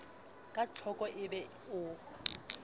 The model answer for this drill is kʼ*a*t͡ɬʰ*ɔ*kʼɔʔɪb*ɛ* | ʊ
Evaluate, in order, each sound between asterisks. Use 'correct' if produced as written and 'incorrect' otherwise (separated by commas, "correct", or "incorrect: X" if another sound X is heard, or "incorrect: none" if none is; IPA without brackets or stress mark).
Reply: correct, correct, correct